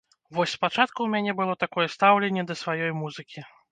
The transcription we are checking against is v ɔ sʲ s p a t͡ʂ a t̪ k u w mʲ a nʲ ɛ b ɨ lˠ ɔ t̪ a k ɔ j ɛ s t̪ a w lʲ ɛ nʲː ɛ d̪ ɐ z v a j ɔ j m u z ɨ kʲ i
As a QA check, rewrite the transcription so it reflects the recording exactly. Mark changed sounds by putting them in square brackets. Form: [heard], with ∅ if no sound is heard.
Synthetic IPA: v ɔ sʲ s p a t͡ʂ a t̪ k u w mʲ a nʲ ɛ b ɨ lˠ ɔ t̪ a k ɔ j ɛ s t̪ a w lʲ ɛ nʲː ɛ d̪ ɐ [s] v a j ɔ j m u z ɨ kʲ i